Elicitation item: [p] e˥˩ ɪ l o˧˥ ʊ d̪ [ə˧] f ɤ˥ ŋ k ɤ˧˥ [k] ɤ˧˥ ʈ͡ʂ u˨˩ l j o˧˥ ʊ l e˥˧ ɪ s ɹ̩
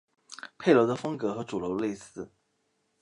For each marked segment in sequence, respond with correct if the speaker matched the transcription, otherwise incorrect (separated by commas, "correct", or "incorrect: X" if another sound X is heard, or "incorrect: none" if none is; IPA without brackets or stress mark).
incorrect: pʰ, correct, incorrect: x